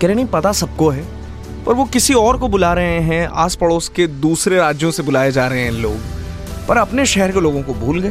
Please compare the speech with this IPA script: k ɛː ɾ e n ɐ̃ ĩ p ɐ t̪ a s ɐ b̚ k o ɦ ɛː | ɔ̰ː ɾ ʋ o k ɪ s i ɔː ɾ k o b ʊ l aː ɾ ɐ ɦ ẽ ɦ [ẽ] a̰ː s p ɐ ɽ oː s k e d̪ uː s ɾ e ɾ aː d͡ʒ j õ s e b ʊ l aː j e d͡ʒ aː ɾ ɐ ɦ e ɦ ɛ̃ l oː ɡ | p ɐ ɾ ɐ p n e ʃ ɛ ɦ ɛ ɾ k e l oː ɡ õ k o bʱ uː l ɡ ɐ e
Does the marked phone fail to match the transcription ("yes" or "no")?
yes